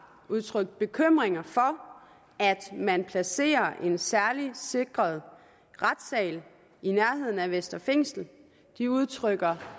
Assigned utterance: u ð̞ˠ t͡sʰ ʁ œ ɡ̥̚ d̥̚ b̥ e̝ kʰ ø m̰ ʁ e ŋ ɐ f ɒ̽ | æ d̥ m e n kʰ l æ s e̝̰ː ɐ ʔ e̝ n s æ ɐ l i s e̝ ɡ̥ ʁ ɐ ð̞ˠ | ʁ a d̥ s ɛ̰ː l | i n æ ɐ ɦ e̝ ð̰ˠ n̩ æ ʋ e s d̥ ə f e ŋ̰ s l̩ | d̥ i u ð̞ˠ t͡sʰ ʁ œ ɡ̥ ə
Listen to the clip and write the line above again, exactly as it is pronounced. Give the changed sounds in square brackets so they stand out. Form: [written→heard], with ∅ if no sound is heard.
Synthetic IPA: u ð̞ˠ t͡sʰ ʁ œ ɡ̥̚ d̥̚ b̥ e̝ kʰ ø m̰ ʁ e ŋ ɐ f ɒ̽ | æ d̥ m [e→æ] n [kʰ→pʰ] l æ s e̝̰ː ɐ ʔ e̝ n s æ ɐ l i s e̝ ɡ̥ ʁ ɐ ð̞ˠ | ʁ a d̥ s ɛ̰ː l | i n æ ɐ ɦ e̝ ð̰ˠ n̩ æ ʋ e s d̥ [ə→ɐ] f e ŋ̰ s l̩ | d̥ i u ð̞ˠ t͡sʰ ʁ œ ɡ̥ [ə→ɐ]